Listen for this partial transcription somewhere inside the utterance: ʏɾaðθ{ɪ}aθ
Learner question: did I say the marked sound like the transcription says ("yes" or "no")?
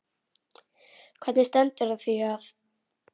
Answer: no